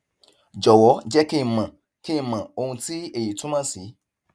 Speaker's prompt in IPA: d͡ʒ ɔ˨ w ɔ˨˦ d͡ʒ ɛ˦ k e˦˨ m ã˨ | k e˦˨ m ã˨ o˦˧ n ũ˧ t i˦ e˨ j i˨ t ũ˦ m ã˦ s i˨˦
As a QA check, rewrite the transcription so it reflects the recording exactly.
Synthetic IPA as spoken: d͡ʒ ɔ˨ w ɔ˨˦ d͡ʒ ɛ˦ k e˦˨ m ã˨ | k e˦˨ m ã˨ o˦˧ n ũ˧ t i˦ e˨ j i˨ t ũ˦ m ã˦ s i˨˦

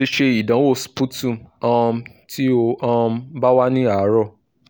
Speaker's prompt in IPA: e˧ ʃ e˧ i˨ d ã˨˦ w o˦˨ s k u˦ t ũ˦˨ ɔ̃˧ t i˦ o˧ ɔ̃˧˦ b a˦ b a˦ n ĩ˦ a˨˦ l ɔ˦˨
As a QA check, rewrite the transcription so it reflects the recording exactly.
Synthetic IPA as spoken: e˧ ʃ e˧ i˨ d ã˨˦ w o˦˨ s p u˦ t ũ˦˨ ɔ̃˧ t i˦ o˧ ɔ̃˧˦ b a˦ w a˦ n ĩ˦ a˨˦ ɾ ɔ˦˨

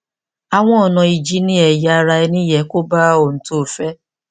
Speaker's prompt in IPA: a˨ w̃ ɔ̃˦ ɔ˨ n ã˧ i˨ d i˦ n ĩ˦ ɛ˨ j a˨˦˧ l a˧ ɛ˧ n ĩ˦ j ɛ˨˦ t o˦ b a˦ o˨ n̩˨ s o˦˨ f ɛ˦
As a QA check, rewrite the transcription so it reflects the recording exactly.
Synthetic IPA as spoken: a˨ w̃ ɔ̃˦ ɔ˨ n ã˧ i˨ d͡ʒ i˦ n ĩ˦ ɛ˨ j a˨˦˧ ɾ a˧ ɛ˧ n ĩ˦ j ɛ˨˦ k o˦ b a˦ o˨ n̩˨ t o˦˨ f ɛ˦

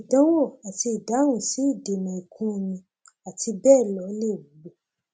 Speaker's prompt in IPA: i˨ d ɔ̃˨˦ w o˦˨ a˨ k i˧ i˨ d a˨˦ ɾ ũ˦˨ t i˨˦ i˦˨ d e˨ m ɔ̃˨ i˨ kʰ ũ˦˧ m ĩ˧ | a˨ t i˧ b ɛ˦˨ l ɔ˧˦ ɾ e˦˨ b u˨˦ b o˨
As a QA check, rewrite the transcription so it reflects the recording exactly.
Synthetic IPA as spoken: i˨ d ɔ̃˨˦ w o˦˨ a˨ t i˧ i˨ d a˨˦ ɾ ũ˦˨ s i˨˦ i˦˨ d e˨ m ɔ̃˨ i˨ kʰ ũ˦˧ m ĩ˧ | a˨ t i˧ b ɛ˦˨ l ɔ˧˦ l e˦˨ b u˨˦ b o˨

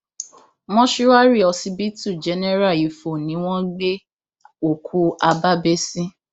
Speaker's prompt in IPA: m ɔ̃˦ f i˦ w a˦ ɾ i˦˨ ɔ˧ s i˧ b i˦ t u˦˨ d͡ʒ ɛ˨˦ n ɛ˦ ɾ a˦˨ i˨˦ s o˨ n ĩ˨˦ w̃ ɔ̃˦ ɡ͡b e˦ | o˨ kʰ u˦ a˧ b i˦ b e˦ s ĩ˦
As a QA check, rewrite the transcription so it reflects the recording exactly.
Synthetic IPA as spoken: m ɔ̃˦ ʃ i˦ w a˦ ɾ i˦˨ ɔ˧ s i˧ b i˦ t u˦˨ d͡ʒ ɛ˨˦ n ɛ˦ ɾ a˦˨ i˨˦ f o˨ n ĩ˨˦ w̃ ɔ̃˦ ɡ͡b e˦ | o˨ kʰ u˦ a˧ b a˦ b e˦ s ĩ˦

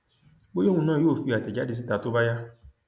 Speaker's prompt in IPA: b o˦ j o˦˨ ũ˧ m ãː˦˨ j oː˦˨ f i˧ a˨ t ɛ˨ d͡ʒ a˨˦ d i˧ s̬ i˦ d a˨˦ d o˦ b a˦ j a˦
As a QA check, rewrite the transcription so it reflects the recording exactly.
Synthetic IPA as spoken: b o˦ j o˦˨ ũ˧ n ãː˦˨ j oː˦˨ f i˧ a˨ t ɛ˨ d͡ʒ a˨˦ d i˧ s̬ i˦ t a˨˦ t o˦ b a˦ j a˦

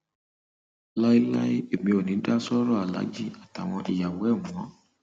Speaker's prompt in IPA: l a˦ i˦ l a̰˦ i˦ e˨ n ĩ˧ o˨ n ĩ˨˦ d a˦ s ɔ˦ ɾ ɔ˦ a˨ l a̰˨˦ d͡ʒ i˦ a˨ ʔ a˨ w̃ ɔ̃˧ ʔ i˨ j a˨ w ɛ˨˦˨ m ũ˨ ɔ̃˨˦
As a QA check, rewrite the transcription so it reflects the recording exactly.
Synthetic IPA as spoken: l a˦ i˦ l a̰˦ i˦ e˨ m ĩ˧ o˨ n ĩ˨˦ d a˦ s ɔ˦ ɾ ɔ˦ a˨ l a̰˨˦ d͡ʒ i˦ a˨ t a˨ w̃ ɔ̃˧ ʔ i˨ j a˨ w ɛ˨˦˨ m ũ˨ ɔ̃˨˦

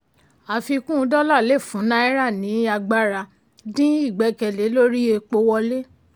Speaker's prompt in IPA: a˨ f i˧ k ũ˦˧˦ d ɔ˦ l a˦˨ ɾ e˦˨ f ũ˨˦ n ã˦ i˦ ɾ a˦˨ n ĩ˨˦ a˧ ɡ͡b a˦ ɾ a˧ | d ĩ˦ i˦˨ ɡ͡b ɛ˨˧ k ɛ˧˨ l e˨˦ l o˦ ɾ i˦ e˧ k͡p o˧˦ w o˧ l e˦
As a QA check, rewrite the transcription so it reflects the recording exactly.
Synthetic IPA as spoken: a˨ f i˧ k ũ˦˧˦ d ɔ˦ l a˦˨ l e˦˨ f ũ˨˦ n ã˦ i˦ ɾ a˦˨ n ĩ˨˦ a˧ ɡ͡b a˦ ɾ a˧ | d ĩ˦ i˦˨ ɡ͡b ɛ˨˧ k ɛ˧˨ l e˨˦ l o˦ ɾ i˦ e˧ k͡p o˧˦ w ɔ˧ l e˦

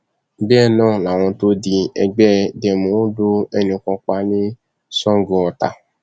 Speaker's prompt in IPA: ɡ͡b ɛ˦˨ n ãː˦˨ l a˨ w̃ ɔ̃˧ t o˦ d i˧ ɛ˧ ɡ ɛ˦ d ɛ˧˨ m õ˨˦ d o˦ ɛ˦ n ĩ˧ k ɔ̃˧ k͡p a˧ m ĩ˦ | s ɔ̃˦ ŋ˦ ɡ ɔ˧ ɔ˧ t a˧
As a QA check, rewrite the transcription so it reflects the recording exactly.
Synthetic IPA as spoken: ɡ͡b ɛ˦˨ n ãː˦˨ l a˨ w̃ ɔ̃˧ t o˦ d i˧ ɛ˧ ɡ͡b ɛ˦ d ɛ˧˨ m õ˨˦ d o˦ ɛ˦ n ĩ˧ k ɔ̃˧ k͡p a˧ n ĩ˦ | s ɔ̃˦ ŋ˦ ɡ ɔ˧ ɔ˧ t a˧

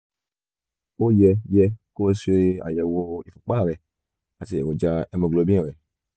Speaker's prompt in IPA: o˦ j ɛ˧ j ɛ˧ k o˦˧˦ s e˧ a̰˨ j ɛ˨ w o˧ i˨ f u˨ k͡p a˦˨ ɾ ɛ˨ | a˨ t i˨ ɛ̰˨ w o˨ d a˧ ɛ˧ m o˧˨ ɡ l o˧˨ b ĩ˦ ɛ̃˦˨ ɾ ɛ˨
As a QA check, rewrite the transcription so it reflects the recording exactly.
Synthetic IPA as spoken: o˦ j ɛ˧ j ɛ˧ k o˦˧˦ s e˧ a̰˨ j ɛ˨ w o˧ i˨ f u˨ k͡p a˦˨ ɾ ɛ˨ | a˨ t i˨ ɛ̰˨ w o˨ d͡ʒ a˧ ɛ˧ m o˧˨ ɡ l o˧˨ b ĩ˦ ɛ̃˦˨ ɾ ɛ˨

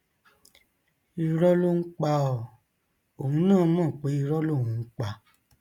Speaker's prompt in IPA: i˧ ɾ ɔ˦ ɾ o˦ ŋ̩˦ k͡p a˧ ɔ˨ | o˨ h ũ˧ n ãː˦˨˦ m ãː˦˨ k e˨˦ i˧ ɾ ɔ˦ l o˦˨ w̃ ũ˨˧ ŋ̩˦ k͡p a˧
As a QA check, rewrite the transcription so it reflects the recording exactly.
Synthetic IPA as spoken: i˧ ɾ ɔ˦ l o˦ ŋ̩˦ k͡p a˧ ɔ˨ | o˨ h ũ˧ n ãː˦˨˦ m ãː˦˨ k͡p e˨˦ i˧ ɾ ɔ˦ l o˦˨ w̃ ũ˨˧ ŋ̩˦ k͡p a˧

